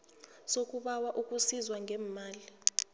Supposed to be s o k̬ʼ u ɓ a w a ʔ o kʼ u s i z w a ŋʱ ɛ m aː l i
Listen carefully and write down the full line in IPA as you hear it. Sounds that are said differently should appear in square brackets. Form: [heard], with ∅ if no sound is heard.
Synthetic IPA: s o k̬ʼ u ɓ a w a ʔ [u] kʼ u s i z w a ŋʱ ɛ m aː l i